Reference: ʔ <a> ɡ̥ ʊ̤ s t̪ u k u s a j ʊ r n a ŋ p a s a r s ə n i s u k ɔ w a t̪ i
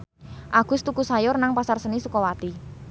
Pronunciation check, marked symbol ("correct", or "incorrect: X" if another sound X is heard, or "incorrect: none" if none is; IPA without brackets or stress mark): correct